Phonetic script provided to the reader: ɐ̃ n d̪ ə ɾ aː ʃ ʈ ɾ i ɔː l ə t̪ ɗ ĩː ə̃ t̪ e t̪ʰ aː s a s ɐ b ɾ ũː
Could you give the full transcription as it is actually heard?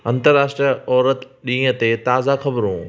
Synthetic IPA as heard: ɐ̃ n t̪ ə ɾ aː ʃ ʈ ɾ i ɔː ɾ ə t̪ ɗ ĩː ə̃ t̪ e t̪ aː z a x ɐ b ɾ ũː